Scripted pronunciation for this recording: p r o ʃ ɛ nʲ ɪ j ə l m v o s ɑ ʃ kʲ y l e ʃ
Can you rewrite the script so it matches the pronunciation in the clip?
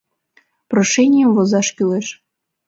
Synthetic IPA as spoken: p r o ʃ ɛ nʲ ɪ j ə m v o z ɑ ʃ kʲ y l e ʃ